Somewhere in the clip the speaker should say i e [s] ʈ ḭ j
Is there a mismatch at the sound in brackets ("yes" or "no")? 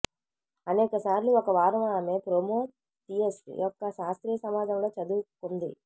no